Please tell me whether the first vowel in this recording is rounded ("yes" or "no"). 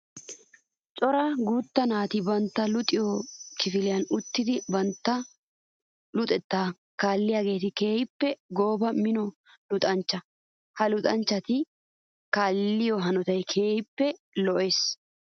yes